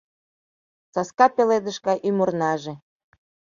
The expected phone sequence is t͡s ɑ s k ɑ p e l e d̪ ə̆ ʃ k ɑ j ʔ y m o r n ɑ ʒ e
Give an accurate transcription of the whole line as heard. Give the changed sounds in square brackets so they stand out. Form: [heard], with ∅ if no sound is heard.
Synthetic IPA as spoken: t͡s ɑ s k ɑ p e l e d̪ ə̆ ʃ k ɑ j ʔ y m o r n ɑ ʒ e